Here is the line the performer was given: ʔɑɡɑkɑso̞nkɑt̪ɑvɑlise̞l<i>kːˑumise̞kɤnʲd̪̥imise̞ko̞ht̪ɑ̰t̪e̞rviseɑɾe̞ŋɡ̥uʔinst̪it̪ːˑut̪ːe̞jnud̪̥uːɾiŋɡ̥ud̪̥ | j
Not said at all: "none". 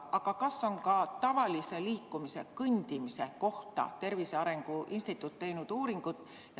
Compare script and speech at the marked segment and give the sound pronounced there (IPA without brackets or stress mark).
iː